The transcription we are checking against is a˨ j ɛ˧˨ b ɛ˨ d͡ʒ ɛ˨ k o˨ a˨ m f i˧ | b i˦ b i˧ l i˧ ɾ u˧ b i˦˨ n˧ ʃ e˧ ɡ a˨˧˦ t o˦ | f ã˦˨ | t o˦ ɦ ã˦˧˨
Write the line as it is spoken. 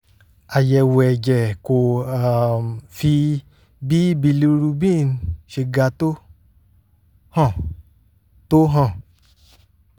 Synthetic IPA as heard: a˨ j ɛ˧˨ w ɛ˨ d͡ʒ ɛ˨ k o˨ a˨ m f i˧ | b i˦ b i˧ l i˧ ɾ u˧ b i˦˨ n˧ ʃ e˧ ɡ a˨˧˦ t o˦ | h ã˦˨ | t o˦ ɦ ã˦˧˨